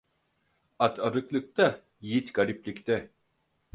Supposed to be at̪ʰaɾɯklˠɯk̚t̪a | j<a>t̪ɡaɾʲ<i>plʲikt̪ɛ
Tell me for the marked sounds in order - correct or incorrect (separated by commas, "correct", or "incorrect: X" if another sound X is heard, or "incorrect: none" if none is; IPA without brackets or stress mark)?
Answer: incorrect: i, correct